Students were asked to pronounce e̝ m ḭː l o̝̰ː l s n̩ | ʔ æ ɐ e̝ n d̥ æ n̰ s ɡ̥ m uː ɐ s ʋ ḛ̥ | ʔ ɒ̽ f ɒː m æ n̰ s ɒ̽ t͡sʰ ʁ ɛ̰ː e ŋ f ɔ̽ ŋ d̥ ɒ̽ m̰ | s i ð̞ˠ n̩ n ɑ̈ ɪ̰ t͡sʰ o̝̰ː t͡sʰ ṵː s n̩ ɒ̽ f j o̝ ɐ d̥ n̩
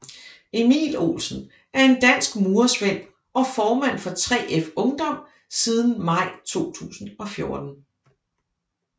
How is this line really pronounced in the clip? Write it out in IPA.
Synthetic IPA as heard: e̝ m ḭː l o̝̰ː l s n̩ | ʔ æ ɐ e̝ n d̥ æ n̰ s ɡ̥ m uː ɐ s ʋ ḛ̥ | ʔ ɒ̽ f ɒː m æ n̰ f ɒ̽ t͡sʰ ʁ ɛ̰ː e f ɔ̽ ŋ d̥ ɒ̽ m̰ | s i ð̞ˠ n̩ m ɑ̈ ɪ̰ t͡sʰ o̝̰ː t͡sʰ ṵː s n̩ ɒ̽ f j o̝ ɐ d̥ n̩